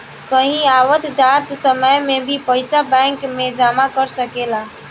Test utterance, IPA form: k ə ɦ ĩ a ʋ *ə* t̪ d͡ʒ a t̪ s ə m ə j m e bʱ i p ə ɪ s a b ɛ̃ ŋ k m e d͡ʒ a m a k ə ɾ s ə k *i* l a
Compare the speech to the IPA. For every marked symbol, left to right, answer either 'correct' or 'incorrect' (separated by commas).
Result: correct, incorrect